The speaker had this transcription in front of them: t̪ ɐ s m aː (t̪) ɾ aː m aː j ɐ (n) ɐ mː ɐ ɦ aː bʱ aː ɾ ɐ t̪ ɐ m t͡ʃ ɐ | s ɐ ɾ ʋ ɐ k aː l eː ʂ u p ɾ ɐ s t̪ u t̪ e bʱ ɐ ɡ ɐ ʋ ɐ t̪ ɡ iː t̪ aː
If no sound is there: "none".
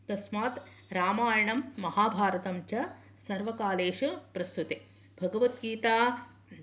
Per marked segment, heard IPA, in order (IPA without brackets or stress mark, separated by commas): t̪, ɳ